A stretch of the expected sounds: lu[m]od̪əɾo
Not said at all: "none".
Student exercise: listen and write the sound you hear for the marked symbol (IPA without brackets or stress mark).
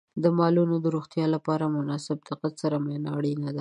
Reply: n